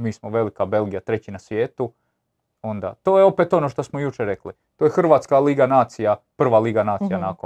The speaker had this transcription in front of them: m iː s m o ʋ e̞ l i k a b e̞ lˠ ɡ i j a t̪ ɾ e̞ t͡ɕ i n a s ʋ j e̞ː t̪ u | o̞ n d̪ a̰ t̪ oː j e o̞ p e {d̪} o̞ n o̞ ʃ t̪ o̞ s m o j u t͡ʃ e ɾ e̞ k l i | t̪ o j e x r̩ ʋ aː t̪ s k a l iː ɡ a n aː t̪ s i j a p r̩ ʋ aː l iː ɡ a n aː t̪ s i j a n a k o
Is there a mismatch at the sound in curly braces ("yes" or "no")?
yes